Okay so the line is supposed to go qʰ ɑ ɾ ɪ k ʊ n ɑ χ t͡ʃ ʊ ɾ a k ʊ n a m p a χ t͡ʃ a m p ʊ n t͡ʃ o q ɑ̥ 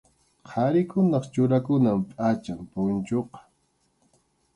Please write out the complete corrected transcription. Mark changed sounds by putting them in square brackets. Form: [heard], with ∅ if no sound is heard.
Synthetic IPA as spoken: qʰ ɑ ɾ ɪ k ʊ n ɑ χ t͡ʃ ʊ ɾ a k ʊ n a m [pʼ] a [∅] t͡ʃ a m p ʊ n t͡ʃ o q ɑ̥